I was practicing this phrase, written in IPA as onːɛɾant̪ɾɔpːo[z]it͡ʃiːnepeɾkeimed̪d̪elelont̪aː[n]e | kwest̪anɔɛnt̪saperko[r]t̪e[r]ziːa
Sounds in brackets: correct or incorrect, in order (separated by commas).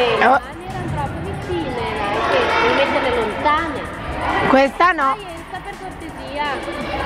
incorrect, correct, correct, incorrect